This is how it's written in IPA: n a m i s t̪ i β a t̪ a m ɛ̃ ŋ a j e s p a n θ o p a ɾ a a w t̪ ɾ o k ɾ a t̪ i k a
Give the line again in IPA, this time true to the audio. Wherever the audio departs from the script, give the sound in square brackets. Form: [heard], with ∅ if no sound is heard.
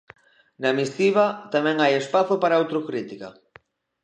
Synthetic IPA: n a m i s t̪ i β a t̪ a m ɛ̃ ŋ a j e s p a [∅] θ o p a ɾ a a w t̪ ɾ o k ɾ [i] t̪ i k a